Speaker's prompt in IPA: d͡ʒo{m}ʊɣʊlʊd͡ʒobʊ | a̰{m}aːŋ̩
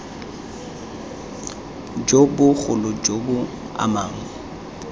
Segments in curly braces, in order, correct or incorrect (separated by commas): incorrect, correct